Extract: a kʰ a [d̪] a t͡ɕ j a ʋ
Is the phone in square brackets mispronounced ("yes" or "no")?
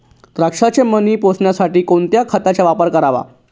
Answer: yes